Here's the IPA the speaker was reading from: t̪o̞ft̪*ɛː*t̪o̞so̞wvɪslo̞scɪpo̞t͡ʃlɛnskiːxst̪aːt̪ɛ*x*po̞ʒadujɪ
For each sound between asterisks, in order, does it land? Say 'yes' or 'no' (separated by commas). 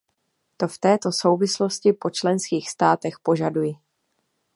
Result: yes, yes